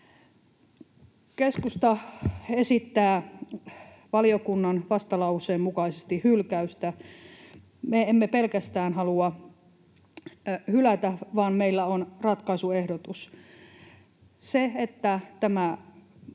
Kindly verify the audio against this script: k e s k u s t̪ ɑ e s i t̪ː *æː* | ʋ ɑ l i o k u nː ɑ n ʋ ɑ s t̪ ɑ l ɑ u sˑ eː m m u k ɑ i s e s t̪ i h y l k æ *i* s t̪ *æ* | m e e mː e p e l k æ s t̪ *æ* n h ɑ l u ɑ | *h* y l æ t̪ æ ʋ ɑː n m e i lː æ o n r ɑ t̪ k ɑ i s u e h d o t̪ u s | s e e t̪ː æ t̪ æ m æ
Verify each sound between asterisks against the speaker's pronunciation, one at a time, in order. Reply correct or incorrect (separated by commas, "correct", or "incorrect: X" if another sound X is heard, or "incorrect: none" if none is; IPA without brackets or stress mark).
correct, incorrect: y, correct, incorrect: æː, correct